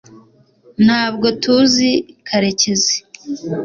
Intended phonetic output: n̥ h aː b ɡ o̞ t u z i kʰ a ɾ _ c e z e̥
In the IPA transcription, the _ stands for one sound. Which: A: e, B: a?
A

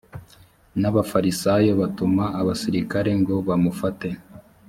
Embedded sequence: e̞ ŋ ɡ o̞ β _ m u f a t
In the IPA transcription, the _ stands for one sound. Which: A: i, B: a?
B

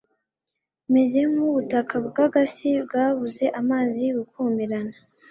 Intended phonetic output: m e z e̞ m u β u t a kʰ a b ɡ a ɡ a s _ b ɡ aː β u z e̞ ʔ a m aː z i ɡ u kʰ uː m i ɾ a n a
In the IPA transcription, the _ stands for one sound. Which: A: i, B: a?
A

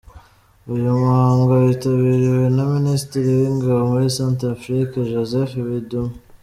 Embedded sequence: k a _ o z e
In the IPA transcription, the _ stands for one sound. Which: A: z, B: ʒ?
B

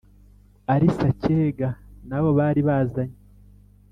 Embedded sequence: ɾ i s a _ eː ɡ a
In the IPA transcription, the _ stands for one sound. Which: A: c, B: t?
A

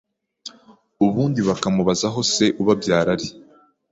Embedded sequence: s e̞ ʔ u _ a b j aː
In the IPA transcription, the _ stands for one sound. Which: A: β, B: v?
A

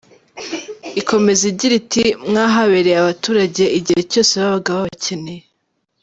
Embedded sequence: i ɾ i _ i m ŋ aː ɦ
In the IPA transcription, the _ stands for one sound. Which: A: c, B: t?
B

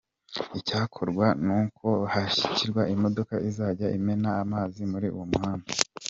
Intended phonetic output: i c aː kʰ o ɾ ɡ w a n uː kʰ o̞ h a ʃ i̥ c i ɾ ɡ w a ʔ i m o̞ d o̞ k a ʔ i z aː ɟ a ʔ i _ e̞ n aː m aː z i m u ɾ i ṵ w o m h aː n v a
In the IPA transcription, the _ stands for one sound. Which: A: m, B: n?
A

